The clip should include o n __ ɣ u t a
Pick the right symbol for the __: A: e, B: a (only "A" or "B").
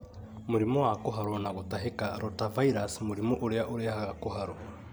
B